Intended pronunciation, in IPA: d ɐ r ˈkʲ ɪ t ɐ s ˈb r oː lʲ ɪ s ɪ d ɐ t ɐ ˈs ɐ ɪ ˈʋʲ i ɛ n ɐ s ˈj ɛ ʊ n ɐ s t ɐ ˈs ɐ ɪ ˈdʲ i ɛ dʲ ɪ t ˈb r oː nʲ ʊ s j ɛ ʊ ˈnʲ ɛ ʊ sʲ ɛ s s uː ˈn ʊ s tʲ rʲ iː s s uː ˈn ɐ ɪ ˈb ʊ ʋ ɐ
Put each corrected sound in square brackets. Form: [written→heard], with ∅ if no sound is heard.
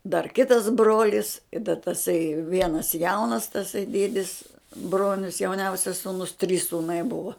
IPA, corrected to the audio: d ɐ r ˈkʲ ɪ t ɐ s ˈb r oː lʲ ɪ s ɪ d ɐ t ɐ ˈs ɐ ɪ ˈʋʲ i ɛ n ɐ s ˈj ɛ ʊ n ɐ s t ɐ ˈs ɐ ɪ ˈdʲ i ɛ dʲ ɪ [t→s] ˈb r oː nʲ ʊ s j ɛ ʊ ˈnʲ ɛ ʊ sʲ ɛ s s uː ˈn ʊ s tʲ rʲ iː s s uː ˈn ɐ ɪ ˈb ʊ ʋ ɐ